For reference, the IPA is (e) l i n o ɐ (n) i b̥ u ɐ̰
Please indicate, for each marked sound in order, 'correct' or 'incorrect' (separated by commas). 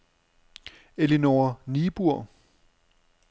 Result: correct, correct